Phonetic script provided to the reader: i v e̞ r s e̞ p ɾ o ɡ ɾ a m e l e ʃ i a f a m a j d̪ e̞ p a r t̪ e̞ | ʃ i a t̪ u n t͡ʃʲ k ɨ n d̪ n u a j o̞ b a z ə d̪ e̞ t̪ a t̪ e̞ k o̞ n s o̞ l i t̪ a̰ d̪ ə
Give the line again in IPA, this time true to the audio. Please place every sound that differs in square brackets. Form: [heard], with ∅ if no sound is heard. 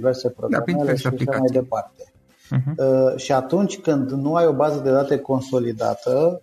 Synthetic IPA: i v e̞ r s e̞ p ɾ o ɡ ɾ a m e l e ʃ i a [ʃ] a m a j d̪ e̞ p a r t̪ e̞ | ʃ i a t̪ u n t͡ʃʲ k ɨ n d̪ n u a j o̞ b a z ə d̪ e̞ [d̪] a t̪ e̞ k o̞ n s o̞ l i [d̪] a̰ [t̪] ə